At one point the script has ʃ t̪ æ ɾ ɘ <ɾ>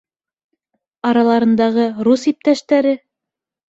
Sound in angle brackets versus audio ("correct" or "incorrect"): incorrect